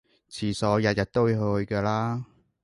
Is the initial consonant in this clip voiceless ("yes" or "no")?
yes